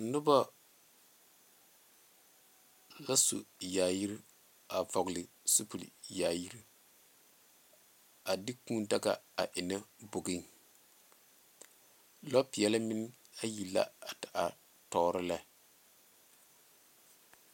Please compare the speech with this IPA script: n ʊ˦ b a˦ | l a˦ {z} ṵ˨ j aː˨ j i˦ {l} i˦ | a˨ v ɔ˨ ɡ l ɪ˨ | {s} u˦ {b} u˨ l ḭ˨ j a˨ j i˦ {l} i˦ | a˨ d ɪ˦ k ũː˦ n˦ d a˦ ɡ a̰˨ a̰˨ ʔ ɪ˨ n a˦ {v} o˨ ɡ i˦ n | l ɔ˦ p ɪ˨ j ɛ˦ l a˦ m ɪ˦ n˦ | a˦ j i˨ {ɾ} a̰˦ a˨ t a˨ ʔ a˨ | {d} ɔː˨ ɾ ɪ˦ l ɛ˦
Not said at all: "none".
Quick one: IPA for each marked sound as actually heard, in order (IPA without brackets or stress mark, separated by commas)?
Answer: s, ɾ, s, p, ɾ, b, l, t